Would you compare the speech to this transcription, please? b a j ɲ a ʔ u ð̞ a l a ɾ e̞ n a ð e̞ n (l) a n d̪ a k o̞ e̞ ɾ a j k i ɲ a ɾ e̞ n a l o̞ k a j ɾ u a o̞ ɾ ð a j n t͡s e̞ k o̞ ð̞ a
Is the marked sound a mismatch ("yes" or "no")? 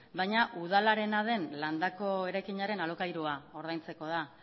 no